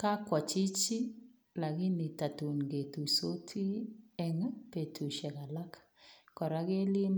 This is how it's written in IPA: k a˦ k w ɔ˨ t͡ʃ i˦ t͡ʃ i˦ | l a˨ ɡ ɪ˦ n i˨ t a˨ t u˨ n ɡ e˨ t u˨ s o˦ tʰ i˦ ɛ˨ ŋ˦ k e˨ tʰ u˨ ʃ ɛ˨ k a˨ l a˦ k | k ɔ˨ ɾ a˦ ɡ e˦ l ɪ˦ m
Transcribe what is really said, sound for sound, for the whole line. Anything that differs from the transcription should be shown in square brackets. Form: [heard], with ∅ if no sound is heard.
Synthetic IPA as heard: k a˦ k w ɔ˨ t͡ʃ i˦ t͡ʃ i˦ | l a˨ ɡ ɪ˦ n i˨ t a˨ t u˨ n ɡ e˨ t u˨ s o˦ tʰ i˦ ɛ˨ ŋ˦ [p] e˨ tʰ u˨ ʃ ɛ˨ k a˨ l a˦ k | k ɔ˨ ɾ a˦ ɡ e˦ l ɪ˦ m